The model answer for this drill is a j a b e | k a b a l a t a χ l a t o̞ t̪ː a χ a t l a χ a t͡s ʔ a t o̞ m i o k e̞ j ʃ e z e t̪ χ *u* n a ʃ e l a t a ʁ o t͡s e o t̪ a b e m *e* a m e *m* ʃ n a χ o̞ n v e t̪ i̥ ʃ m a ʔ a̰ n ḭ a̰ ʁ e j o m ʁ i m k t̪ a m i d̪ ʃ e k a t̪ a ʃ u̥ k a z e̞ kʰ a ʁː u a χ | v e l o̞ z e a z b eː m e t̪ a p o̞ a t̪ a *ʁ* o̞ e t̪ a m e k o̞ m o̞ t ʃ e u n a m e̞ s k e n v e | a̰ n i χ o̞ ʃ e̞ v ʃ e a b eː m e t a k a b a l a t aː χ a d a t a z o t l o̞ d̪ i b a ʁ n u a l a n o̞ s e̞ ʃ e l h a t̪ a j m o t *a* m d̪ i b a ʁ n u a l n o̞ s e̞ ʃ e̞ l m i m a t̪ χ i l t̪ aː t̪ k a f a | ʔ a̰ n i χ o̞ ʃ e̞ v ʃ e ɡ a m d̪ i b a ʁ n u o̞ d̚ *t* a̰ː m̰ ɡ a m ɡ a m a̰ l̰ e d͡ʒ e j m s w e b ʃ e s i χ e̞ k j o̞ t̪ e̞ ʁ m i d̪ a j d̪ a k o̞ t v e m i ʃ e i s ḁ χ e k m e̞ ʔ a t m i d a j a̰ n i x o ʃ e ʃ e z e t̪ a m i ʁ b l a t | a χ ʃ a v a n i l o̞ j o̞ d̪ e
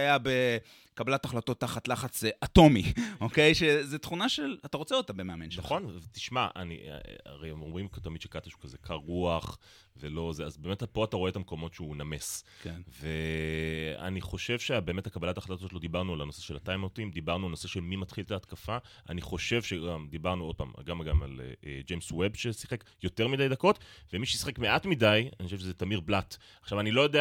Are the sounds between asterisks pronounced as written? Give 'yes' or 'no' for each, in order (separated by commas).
yes, yes, no, yes, no, no